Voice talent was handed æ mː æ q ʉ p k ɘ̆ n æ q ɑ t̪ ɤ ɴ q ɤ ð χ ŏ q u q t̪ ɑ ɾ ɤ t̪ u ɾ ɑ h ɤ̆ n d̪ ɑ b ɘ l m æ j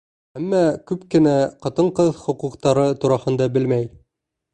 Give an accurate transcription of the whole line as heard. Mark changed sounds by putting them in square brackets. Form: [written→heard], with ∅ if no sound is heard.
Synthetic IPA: æ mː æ [q→k] ʉ p k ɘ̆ n æ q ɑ t̪ ɤ ɴ q ɤ ð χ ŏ q u q t̪ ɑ ɾ ɤ t̪ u ɾ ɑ h ɤ̆ n d̪ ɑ b ɘ l m æ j

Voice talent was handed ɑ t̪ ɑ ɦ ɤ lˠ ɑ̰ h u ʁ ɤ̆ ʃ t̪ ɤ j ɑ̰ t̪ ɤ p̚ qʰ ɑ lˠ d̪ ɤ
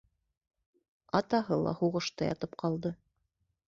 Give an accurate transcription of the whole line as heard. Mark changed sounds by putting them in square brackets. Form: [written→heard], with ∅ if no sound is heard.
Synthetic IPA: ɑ t̪ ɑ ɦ ɤ lˠ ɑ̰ h u ʁ ɤ̆ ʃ t̪ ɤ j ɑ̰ t̪ ɤ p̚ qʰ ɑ lˠ d̪ ɤ

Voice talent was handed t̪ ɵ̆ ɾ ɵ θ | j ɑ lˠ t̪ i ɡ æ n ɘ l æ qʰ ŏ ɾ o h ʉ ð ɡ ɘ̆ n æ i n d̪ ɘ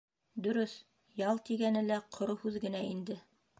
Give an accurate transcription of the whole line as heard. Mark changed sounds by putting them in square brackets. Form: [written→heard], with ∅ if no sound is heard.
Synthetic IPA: [t̪→d̪] ɵ̆ ɾ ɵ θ | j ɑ lˠ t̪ i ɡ æ n ɘ l æ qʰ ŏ ɾ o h ʉ ð ɡ ɘ̆ n æ i n d̪ ɘ

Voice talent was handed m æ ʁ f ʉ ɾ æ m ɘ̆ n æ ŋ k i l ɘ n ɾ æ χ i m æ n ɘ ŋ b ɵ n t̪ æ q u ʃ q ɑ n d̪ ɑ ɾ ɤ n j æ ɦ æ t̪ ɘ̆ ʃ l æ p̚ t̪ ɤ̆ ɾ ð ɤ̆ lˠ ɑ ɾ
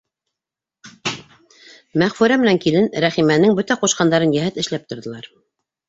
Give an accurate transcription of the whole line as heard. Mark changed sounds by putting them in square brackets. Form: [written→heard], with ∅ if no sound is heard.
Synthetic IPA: m æ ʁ f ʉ ɾ æ m ɘ̆ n æ ŋ k i l ɘ n ɾ æ χ i m æ n ɘ ŋ b ɵ [n→∅] t̪ æ q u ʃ q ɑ n d̪ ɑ ɾ ɤ n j æ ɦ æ t̪ ɘ̆ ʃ l æ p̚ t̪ [ɤ̆→ŏ] ɾ ð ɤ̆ lˠ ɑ ɾ

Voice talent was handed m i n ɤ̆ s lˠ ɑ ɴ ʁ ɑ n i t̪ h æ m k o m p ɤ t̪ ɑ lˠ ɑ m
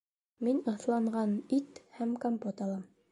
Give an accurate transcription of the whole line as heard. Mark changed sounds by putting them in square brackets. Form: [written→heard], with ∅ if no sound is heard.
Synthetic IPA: m i n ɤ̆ [s→θ] lˠ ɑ ɴ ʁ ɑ n i t̪ h æ m k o m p [ɤ→o] t̪ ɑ lˠ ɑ m

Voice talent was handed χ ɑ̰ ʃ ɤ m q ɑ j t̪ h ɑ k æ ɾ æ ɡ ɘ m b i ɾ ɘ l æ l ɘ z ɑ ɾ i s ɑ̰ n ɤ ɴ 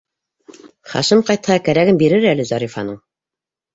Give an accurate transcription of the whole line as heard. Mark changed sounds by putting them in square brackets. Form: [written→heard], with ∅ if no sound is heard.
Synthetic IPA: χ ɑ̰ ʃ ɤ m q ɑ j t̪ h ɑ k æ ɾ æ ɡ ɘ m b i ɾ ɘ [l→ɾ] æ l ɘ z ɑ ɾ i [s→f] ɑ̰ n ɤ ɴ

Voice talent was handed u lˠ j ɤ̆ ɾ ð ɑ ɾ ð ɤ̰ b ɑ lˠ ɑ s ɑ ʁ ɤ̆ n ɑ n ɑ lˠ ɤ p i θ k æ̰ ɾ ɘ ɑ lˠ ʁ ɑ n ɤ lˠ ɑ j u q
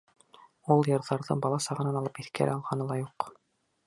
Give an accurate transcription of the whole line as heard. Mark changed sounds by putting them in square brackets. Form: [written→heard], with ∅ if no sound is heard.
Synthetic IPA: u lˠ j ɤ̆ ɾ ð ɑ ɾ ð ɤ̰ b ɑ lˠ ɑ s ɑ ʁ ɤ̆ n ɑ n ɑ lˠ ɤ p i θ k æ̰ ɾ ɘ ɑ lˠ ʁ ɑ n ɤ lˠ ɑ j u q

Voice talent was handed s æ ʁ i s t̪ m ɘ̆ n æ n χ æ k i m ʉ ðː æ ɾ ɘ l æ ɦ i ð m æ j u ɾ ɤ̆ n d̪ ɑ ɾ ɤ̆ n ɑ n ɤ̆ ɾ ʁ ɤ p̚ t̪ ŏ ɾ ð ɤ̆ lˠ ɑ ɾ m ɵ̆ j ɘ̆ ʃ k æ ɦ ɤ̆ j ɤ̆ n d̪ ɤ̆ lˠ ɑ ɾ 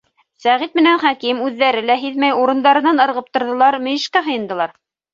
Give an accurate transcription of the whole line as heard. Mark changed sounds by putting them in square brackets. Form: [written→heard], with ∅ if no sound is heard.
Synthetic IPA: s æ ʁ i [s→∅] t̪ m ɘ̆ n æ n χ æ k i m ʉ ðː æ ɾ ɘ l æ ɦ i ð m æ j u ɾ ɤ̆ n d̪ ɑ ɾ ɤ̆ n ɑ n ɤ̆ ɾ ʁ ɤ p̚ t̪ ŏ ɾ ð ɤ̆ lˠ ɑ ɾ m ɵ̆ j ɘ̆ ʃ k æ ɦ ɤ̆ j ɤ̆ n d̪ ɤ̆ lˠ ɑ ɾ

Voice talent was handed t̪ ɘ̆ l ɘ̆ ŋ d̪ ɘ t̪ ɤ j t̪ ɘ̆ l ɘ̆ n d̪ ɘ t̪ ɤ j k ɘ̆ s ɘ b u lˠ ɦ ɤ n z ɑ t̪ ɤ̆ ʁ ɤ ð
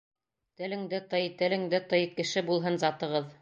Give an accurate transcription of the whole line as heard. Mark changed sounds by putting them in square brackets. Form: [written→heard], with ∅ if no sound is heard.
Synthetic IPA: t̪ ɘ̆ l ɘ̆ ŋ d̪ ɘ t̪ ɤ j t̪ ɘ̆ l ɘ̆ [n→ŋ] d̪ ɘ t̪ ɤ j k ɘ̆ [s→ʃ] ɘ b u lˠ ɦ ɤ n z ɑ t̪ ɤ̆ ʁ ɤ ð

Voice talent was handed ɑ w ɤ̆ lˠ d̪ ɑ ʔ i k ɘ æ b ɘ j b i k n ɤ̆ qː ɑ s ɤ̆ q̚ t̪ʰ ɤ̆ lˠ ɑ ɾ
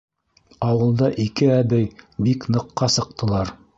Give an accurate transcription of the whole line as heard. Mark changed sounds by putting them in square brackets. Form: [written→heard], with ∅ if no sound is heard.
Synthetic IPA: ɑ w ɤ̆ lˠ d̪ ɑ ʔ i k ɘ æ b ɘ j b i k n ɤ̆ qː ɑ s ɤ̆ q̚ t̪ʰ ɤ̆ lˠ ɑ ɾ

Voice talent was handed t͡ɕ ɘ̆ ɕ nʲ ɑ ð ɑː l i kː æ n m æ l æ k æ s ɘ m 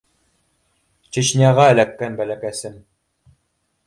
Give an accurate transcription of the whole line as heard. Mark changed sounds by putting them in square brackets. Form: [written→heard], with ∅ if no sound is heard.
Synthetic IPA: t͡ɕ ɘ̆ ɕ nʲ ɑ [ð→ʁ] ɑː l [i→æ] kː æ n [m→b] æ l æ k æ s ɘ m

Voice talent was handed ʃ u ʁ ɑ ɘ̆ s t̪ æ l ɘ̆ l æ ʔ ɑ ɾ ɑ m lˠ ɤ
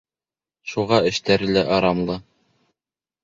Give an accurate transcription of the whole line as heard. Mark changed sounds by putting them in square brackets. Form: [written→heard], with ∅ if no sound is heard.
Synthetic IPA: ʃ u ʁ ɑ ɘ̆ [s→ʃ] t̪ æ [l→ɾ] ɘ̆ l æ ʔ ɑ ɾ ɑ m lˠ ɤ

